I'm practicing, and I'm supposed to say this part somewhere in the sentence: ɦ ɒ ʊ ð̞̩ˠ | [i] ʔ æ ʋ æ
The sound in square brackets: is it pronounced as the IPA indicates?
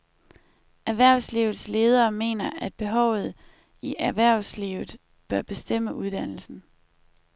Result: yes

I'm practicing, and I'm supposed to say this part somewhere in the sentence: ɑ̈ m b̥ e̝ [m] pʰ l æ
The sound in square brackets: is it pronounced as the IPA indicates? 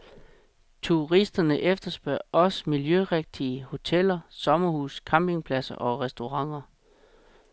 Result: no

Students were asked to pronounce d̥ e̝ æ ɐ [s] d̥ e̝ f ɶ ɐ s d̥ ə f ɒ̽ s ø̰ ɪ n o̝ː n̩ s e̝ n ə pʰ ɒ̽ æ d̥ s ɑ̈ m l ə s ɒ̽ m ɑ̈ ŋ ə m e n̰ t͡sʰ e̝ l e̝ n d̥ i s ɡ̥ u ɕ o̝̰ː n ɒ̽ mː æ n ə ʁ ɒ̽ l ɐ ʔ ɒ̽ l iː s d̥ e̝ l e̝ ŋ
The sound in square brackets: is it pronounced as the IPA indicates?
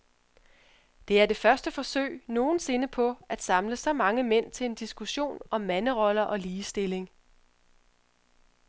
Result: no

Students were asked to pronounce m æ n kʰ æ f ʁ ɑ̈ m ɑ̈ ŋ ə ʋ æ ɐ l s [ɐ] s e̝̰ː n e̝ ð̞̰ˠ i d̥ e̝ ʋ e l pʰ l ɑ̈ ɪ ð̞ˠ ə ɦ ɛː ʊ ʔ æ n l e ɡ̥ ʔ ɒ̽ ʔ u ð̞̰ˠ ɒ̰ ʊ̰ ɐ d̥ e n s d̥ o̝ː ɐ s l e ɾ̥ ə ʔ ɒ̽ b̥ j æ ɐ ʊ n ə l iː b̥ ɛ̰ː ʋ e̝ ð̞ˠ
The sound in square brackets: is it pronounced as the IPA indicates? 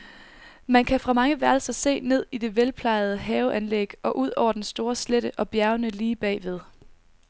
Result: yes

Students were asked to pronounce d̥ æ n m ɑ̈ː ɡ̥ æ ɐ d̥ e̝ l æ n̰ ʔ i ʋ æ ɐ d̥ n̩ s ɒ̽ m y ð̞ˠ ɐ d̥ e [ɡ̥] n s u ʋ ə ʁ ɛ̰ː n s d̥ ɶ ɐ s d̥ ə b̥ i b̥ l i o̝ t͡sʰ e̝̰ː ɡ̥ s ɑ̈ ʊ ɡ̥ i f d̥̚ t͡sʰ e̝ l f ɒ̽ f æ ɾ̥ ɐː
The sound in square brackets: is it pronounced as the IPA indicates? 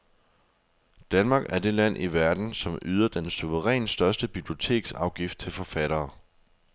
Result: no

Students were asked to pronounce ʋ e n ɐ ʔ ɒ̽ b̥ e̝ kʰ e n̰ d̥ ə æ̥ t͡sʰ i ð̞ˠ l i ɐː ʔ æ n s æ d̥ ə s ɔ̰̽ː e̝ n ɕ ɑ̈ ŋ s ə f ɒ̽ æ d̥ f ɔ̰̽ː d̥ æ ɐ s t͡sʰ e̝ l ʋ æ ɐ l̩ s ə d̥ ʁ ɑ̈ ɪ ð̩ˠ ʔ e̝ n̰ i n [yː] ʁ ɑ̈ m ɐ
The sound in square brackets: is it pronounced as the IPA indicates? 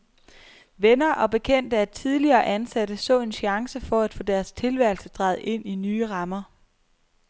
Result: yes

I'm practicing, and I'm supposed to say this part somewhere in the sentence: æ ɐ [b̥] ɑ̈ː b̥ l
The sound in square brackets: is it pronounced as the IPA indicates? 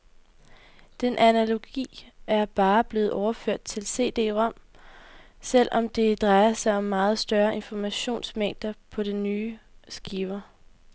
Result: yes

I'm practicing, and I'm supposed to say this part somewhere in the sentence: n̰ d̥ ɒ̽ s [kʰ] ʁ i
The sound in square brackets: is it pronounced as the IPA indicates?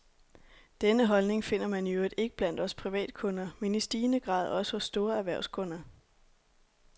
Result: no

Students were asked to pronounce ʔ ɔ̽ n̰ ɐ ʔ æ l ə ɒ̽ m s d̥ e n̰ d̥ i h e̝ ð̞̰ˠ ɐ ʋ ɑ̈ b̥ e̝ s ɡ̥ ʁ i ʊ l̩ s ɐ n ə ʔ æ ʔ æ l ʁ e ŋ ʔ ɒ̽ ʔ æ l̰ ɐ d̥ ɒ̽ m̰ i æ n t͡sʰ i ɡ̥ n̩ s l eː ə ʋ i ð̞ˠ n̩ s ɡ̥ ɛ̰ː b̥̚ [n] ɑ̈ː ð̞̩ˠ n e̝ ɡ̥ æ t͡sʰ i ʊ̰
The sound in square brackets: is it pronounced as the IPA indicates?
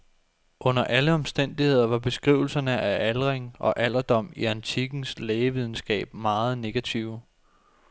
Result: no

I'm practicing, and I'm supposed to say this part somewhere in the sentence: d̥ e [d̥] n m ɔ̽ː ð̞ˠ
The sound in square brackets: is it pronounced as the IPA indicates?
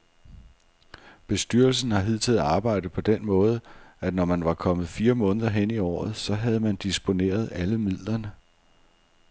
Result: no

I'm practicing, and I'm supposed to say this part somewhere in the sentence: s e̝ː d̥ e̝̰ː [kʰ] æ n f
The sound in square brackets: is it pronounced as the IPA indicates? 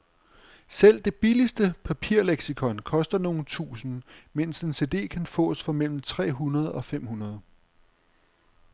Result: yes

